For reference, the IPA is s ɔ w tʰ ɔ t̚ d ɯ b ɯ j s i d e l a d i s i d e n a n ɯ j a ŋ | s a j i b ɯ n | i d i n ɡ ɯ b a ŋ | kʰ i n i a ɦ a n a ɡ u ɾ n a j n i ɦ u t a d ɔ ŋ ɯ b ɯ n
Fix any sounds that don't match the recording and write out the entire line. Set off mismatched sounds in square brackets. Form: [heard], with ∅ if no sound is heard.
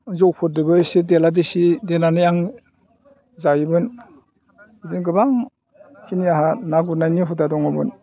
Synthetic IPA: [z] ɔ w [pʰ] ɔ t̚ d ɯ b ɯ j s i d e l a d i s i d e n a n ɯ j a ŋ | [z] a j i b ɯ n | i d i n ɡ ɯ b a ŋ | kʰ i n i a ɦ a n a ɡ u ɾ n a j n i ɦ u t a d ɔ ŋ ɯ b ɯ n